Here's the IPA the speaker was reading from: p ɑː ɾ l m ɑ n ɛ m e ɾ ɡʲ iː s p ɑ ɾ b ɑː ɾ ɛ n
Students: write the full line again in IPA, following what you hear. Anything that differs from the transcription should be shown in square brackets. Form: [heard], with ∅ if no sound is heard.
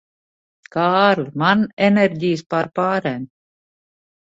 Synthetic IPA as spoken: [k] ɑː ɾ l m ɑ n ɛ [n] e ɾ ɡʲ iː s p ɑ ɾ [p] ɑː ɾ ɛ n